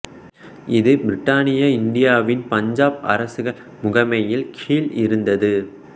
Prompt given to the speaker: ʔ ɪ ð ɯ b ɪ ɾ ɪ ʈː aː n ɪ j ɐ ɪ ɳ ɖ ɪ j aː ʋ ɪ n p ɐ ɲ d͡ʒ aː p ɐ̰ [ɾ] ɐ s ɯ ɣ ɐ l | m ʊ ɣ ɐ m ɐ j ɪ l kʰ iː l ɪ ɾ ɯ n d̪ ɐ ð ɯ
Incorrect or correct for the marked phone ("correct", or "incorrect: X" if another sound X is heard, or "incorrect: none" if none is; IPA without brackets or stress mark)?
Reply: correct